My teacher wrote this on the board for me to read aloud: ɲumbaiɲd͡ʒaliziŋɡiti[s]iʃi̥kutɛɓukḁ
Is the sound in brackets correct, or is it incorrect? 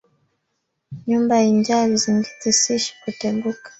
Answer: correct